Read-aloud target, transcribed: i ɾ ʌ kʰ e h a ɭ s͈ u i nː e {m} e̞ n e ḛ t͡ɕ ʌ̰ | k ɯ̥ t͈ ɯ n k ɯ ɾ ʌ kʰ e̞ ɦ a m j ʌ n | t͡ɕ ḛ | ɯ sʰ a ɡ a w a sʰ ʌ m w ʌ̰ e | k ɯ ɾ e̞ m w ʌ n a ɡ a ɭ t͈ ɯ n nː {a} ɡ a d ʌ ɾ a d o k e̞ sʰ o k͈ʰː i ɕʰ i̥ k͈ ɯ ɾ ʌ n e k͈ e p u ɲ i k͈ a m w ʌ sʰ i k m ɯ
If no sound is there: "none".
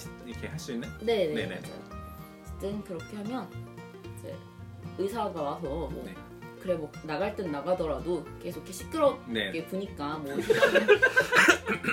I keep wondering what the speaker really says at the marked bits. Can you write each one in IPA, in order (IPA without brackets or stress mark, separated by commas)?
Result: n, a